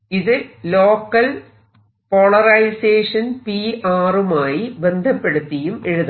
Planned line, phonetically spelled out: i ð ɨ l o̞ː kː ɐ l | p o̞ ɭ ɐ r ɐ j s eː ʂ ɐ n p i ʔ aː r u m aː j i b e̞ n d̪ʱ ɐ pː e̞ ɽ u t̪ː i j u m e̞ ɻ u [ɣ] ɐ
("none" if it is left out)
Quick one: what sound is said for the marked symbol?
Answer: ð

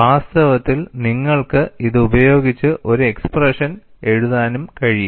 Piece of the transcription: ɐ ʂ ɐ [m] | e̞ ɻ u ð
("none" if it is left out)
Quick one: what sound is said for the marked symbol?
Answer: n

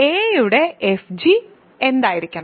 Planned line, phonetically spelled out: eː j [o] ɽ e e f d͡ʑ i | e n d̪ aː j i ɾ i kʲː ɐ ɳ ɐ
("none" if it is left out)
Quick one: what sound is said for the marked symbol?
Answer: u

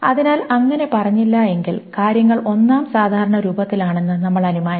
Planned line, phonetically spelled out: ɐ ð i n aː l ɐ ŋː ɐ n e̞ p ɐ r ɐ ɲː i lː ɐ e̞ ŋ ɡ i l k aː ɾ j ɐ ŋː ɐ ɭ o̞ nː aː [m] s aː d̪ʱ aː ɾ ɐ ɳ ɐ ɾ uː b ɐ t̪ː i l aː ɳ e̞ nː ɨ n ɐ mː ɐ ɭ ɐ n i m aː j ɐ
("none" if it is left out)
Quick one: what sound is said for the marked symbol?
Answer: m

